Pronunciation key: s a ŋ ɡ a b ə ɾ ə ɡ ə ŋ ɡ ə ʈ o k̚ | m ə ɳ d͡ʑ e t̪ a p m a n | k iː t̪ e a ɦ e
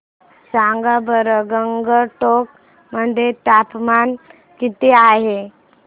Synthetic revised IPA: s a ŋ ɡ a b ə ɾ ə ɡ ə ŋ ɡ ə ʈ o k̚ | m ə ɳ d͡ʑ e t̪ a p m a n | k i t̪ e a ɦ e